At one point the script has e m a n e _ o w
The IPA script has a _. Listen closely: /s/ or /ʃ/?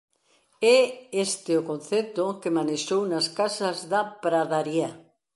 ʃ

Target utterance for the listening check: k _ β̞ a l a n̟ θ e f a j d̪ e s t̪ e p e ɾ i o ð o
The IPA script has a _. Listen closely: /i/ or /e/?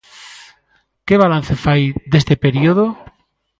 e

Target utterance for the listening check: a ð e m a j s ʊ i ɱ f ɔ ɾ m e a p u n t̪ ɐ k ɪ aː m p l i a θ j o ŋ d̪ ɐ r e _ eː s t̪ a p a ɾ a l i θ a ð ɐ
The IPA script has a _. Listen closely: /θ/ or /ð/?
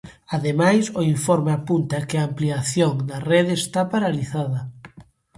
ð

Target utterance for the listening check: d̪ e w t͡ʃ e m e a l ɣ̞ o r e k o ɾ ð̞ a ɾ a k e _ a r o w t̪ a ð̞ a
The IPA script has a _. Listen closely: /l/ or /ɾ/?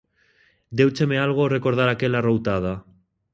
l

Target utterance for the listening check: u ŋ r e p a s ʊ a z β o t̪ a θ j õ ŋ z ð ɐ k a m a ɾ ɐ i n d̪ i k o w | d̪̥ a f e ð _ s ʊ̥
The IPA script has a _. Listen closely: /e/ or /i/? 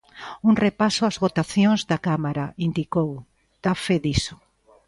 i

